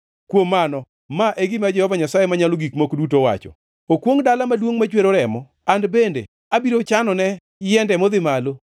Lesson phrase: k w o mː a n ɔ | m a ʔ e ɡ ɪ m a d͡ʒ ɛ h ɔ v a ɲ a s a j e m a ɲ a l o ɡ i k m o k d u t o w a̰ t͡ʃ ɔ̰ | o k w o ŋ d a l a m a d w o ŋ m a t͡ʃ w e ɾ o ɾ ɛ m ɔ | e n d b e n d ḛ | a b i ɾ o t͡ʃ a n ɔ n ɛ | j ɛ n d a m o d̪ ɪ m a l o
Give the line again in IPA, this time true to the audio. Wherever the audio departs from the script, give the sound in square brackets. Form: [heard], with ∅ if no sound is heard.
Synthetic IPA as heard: k w o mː a n ɔ | m a ʔ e ɡ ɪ m a d͡ʒ ɛ h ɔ v a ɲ a s a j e m a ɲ a l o ɡ i k m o k d u t o w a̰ t͡ʃ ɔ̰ | o k w o ŋ d a l a m a d w o ŋ m a t͡ʃ w e ɾ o ɾ ɛ m ɔ | [a] n d b e n d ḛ | a b i ɾ o t͡ʃ a n ɔ n ɛ | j ɛ n d [ɛ] m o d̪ ɪ m a l o